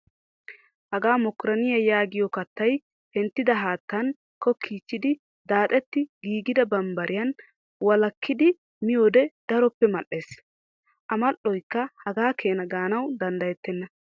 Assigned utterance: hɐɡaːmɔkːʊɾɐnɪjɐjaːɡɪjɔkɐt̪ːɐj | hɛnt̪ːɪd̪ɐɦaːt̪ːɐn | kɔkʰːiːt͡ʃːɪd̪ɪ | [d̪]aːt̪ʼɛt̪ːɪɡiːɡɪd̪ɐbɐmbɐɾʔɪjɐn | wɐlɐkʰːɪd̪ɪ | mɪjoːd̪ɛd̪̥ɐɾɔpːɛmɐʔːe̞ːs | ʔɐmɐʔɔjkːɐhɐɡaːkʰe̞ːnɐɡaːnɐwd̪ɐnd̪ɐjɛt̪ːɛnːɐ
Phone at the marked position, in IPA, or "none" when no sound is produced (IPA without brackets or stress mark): d̪